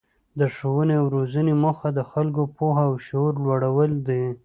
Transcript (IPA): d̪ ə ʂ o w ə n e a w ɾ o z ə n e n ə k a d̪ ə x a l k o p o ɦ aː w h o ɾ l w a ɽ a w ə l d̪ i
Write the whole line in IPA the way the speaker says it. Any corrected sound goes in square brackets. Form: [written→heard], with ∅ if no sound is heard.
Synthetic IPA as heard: d̪ ə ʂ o w ə n e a w ɾ o z ə n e [n→m] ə [k→x] a d̪ ə x a l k o p o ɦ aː w [h→ʃ] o ɾ l w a ɽ a w ə l d̪ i

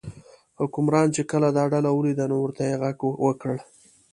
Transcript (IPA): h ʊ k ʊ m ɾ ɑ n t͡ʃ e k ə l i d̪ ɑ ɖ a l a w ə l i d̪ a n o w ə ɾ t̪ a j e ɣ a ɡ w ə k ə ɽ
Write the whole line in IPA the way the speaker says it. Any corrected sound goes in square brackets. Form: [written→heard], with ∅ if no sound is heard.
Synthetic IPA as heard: h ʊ k ʊ m ɾ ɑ n t͡ʃ e k ə l [i→a] d̪ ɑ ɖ a l a w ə l i d̪ a n o w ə ɾ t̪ a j e ɣ a ɡ w ə k ə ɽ

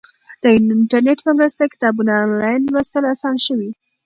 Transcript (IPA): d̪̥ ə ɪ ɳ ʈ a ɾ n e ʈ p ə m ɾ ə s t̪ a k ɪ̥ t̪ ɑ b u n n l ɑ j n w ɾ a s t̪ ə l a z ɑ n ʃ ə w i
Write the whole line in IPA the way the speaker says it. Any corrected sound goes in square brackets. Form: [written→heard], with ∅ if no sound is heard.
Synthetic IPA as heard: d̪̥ ə ɪ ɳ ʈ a ɾ n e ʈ p ə m ɾ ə s t̪ a k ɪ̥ t̪ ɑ b u n n l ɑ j n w ɾ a s t̪ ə l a [z→s] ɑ n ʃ ə w i

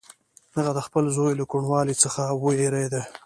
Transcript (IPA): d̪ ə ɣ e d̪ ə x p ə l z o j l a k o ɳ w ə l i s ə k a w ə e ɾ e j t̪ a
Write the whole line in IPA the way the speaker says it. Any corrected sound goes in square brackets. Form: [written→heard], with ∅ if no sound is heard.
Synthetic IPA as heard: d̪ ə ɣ [e→a] d̪ ə x p ə l z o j l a k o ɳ w [ə→ɑ] l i [s→t͡s] ə [k→x] a w ə e ɾ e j [t̪→d̪] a

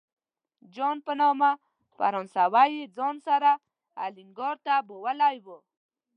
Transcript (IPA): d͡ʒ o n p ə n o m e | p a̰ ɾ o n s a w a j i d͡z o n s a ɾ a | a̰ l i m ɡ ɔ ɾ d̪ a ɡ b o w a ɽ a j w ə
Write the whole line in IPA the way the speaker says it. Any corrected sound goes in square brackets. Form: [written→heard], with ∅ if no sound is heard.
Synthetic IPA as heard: d͡ʒ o n p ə n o m [e→a] | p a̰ ɾ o n s a w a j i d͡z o n s a ɾ a | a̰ l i [m→ŋ] ɡ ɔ ɾ [d̪→t̪] a [ɡ→∅] b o w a [ɽ→l] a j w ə

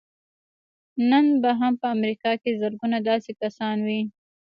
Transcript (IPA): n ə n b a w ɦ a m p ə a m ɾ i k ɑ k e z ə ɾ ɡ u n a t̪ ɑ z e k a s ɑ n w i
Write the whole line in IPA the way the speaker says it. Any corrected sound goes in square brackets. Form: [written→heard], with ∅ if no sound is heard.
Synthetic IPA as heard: n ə n b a [w→∅] ɦ a m p ə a m ɾ i k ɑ k e z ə ɾ ɡ u n a [t̪→d̪] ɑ [z→s] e k a s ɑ n w i

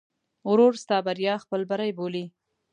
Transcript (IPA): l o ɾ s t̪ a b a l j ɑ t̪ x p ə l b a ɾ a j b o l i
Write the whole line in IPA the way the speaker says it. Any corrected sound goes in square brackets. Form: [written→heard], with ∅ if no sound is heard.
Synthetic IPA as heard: [l→ɾ] o ɾ s t̪ [a→ɑ] b a [l→ɾ] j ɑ [t̪→∅] x p ə l b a ɾ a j b o l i

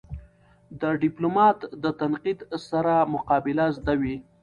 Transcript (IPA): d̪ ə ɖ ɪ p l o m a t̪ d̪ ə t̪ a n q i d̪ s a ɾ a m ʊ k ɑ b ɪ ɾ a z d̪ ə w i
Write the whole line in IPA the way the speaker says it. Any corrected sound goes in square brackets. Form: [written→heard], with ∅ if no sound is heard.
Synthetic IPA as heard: d̪ ə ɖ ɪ p l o m [a→ɑ] t̪ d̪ ə t̪ a n q i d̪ s a ɾ a m ʊ [k→q] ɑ b ɪ [ɾ→l] a z d̪ [ə→a] w i

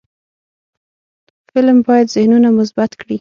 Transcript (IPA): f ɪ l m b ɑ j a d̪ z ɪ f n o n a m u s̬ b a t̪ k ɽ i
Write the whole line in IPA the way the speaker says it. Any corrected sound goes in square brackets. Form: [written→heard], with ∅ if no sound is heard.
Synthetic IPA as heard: f ɪ l m b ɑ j a d̪ z ɪ [f→h] n [o→u] n a m [u→ʊ] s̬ b a t̪ k ɽ i

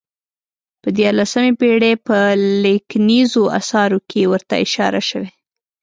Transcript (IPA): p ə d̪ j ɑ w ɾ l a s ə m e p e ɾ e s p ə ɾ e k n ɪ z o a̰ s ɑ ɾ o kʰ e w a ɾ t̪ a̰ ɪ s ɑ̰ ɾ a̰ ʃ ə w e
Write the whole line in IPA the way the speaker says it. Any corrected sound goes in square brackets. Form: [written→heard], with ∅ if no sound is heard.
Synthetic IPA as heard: p ə d̪ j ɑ [w→∅] ɾ l a s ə m e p e [ɾ→ɽ] e [s→∅] p ə [ɾ→l] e k n [ɪ→i] z o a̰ s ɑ ɾ o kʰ e w [a→ə] ɾ t̪ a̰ ɪ [s→ʃ] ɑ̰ ɾ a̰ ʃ ə w e

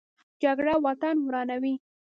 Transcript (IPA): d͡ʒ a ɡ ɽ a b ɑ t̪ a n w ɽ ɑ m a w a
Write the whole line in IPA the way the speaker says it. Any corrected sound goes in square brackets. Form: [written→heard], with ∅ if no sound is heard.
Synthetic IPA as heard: d͡ʒ a ɡ ɽ a [b→w] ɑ t̪ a n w [ɽ→ɾ] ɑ [m→n] a w [a→i]

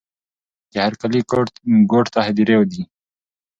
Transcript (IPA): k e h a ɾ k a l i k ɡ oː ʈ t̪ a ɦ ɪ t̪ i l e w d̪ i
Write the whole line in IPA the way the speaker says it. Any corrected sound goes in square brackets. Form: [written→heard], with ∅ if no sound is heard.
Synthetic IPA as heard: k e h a ɾ k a l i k ɡ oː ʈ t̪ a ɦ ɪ [t̪→d̪] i [l→ɾ] e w d̪ i

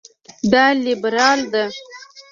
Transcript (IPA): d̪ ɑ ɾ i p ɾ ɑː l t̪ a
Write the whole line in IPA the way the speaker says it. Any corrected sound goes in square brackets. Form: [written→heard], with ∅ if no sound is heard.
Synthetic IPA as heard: d̪ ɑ [ɾ→l] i [p→b] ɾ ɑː l [t̪→d̪] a

